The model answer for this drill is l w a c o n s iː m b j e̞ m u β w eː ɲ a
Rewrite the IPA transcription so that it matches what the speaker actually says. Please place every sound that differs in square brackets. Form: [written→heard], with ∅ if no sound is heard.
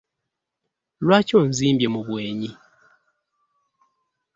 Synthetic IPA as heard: l w a c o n [s→z] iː m b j e̞ m u β w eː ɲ [a→i]